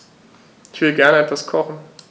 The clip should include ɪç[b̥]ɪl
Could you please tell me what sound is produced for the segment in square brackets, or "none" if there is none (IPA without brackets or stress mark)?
v̥